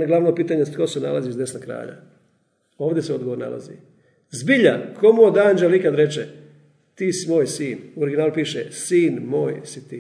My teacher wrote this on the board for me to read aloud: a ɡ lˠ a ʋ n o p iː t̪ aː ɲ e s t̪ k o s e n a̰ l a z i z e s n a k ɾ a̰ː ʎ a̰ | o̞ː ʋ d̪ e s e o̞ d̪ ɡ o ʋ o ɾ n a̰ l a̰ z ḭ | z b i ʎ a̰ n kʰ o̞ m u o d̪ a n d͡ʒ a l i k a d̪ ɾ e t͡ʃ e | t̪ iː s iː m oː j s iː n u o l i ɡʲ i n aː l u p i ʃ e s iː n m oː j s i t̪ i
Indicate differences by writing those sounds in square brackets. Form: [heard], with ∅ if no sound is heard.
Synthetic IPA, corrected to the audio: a ɡ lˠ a ʋ n o p iː t̪ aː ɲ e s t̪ k o s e n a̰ l a z i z e s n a k ɾ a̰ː ʎ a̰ | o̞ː ʋ d̪ e s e o̞ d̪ ɡ o ʋ o ɾ n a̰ l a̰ z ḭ | z b i ʎ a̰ n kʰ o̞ m u o d̪ a n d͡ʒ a l i k a d̪ ɾ e t͡ʃ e | t̪ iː s [i] m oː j s iː n u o [ɾ] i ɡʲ i n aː l u p [iː] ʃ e s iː n m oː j s i t̪ i